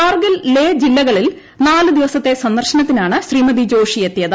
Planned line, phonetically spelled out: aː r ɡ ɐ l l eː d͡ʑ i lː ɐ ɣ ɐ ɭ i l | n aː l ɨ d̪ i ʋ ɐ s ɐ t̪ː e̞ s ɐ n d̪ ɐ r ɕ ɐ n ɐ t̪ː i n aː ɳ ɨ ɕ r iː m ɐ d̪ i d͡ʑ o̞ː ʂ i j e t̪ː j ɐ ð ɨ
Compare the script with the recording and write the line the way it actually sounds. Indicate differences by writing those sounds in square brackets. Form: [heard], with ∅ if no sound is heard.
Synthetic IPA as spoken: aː r ɡ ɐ l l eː d͡ʑ i lː ɐ ɣ ɐ ɭ i l | n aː l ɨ d̪ i ʋ ɐ s ɐ t̪ː e̞ s ɐ n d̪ ɐ r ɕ ɐ n ɐ t̪ː i n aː ɳ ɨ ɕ r iː m ɐ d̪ i d͡ʑ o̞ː ʂ i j e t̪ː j ɐ ð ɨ

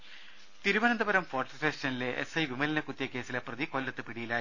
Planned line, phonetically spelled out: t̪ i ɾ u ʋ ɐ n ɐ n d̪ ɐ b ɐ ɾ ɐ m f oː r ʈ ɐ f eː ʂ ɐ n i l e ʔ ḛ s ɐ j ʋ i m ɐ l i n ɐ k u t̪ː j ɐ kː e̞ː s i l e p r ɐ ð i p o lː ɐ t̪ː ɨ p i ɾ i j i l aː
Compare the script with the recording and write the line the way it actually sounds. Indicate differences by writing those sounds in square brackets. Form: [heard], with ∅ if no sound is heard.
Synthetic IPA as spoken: t̪ i ɾ u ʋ ɐ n ɐ n d̪ ɐ b ɐ ɾ ɐ m f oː r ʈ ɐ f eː ʂ ɐ n i l e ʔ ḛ s ɐ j ʋ i m ɐ l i n ɐ k u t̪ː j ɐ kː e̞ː s i l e p r ɐ ð i [k] o lː ɐ t̪ː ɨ p i [ɽ] i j i l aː

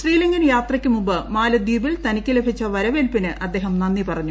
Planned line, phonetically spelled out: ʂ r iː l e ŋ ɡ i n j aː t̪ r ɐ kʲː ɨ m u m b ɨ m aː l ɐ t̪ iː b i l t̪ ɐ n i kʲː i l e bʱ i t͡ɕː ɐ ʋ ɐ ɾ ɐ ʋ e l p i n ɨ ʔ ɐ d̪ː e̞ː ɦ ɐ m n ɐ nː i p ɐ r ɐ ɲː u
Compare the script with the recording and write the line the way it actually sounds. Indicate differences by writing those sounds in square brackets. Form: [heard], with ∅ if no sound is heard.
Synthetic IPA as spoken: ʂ r iː l [i] ŋ ɡ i n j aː t̪ r ɐ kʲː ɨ m u m b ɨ m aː l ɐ [d̪] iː b i l t̪ ɐ n i kʲː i l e bʱ i t͡ɕː ɐ ʋ ɐ ɾ ɐ ʋ e l p i n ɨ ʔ ɐ d̪ː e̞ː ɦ ɐ m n ɐ nː i p ɐ r ɐ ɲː u

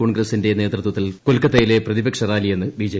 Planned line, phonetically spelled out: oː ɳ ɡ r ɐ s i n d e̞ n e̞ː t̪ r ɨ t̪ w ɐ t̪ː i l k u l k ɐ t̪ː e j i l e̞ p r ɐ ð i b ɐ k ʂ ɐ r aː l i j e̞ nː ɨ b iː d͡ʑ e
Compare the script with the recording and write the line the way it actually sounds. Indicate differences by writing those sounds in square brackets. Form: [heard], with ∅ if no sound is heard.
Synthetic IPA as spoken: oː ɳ ɡ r ɐ s i n d e̞ n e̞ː t̪ r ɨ t̪ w ɐ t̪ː i l k [o] l k ɐ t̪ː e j i l e̞ p r ɐ ð i b ɐ k ʂ ɐ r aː l i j e̞ nː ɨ b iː d͡ʑ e

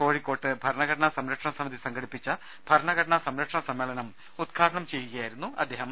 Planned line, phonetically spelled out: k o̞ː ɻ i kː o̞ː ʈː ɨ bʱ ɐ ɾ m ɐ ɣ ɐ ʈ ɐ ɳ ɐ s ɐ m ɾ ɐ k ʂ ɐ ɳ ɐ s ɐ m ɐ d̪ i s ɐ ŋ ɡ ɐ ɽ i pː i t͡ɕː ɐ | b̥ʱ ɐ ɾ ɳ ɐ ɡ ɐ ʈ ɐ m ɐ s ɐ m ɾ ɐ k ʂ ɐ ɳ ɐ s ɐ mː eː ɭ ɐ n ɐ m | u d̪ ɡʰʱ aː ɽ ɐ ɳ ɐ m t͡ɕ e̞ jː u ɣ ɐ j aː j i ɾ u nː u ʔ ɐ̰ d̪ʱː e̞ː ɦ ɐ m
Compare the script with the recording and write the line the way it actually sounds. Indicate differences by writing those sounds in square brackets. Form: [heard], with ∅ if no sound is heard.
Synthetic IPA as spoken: k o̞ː ɻ i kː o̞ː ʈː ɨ bʱ ɐ ɾ [ɳ] ɐ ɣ ɐ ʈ ɐ ɳ ɐ s ɐ m ɾ ɐ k ʂ ɐ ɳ ɐ s ɐ m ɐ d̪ i s ɐ ŋ ɡ ɐ ɽ i pː i t͡ɕː ɐ | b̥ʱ ɐ ɾ ɳ ɐ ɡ ɐ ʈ ɐ [ɳ] ɐ s ɐ m ɾ ɐ k ʂ ɐ ɳ ɐ s ɐ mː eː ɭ ɐ n ɐ m | u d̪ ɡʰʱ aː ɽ ɐ ɳ ɐ m t͡ɕ e̞ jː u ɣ ɐ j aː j i ɾ u nː u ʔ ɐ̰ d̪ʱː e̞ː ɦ ɐ m

